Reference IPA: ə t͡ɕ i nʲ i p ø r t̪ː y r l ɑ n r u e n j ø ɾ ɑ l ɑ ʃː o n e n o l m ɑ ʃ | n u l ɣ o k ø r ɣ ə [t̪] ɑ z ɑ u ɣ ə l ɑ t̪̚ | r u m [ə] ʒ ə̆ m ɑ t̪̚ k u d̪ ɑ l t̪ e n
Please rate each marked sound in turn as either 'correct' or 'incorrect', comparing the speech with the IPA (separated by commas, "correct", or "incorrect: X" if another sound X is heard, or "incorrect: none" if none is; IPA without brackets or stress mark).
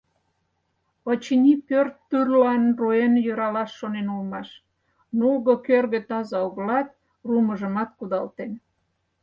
correct, correct